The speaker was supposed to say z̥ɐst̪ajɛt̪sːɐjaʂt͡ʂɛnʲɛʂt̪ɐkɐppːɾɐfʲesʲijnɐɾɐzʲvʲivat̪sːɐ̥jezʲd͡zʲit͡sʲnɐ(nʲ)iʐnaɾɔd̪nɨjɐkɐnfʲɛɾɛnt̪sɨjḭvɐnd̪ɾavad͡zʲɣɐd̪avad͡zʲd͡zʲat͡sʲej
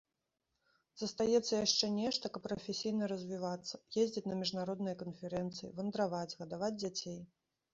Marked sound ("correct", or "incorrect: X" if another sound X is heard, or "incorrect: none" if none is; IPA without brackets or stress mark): incorrect: mʲ